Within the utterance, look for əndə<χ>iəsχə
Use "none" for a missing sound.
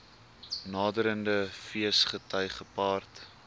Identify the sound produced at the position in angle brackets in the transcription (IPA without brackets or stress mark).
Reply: f